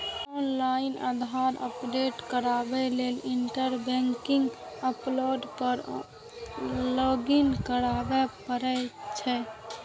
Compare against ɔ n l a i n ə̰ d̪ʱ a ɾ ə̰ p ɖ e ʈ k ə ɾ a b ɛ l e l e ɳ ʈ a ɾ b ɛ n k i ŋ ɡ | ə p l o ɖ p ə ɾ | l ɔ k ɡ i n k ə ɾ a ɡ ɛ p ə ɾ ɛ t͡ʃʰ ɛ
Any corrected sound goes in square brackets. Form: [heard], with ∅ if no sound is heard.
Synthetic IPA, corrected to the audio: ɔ n l a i n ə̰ d̪ʱ a ɾ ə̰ p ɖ e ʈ k ə ɾ a b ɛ l e l [i] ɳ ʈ [ə] ɾ b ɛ [ŋ] k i ŋ ɡ | ə p l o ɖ p ə ɾ | l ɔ [∅] ɡ i n k ə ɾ a [b] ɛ p ə ɾ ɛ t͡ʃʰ ɛ